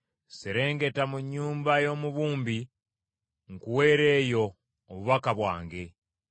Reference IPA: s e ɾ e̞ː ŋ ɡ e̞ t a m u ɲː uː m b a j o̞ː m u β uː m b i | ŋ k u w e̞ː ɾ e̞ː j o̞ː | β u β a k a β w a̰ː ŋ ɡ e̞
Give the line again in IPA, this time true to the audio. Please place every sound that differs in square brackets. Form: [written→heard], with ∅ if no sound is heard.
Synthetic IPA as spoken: s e ɾ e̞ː ŋ ɡ e̞ t a m u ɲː uː m b a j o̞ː m u β uː m b i | ŋ k u w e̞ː ɾ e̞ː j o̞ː | β u β a k a β w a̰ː ŋ ɡ e̞